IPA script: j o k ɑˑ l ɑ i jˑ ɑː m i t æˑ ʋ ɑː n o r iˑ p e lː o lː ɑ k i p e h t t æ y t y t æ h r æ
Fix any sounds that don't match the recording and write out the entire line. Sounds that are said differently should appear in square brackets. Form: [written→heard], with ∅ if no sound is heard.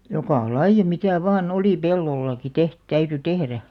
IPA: j o k ɑˑ l ɑ i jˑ [ɑː→ɑ] m i t æˑ ʋ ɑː n o [r→l] iˑ p e lː o lː ɑ k i [p→t] e h t t æ y t y t [æ→e] h r æ